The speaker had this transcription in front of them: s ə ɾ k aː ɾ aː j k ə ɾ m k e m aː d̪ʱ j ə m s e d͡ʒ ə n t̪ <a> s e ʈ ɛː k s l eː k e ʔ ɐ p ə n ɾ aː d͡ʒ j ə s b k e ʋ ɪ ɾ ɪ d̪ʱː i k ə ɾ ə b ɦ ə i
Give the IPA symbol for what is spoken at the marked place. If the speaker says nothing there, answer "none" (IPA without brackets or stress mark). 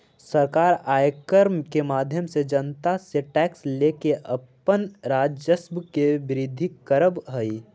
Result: a